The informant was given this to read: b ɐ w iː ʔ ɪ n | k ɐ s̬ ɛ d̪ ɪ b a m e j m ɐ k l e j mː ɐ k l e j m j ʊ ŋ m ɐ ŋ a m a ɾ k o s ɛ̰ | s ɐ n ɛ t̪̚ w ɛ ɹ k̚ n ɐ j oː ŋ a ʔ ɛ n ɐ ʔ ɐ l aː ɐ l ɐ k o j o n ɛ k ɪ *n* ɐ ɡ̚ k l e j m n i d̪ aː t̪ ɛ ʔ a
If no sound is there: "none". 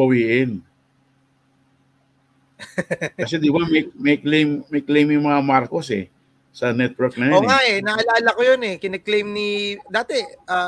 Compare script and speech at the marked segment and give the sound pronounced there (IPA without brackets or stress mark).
n